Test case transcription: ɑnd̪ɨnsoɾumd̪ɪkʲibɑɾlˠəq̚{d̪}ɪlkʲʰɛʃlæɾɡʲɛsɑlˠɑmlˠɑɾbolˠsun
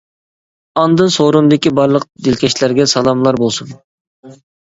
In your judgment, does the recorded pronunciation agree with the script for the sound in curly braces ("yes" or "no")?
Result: yes